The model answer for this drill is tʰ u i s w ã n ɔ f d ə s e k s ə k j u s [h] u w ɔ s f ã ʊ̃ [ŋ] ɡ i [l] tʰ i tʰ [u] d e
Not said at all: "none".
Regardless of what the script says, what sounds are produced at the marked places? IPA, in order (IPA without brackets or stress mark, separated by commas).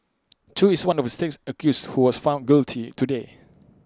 h, n, l, u